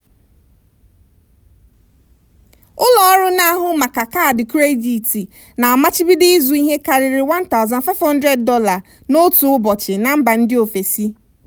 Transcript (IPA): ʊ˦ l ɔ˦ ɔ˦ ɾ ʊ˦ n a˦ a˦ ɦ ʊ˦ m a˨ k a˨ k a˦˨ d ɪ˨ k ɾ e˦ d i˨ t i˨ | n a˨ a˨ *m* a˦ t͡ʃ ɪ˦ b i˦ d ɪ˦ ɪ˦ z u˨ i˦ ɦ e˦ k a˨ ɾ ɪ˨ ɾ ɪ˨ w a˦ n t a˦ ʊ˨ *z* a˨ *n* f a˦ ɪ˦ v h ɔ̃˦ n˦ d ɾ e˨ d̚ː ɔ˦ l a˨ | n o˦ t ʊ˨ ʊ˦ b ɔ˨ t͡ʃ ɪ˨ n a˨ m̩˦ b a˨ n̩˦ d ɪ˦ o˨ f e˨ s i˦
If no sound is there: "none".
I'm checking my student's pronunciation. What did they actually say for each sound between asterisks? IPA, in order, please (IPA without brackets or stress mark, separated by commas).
m, z, n